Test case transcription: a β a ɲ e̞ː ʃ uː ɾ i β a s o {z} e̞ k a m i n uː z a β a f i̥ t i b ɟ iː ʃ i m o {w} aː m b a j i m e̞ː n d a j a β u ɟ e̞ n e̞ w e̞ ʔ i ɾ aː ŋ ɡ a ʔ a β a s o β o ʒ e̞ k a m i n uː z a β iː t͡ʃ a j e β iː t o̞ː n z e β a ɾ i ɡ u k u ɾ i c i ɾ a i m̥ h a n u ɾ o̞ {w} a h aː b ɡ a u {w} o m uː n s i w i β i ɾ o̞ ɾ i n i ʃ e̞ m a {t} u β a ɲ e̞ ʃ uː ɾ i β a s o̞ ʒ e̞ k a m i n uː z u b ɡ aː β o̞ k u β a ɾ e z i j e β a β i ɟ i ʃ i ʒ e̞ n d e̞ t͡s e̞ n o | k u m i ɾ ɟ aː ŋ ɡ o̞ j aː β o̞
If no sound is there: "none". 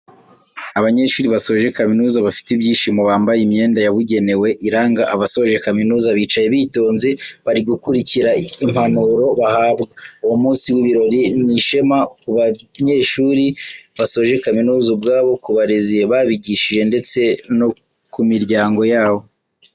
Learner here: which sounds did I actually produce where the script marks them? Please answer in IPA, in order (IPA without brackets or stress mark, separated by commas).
ʒ, β, β, w, k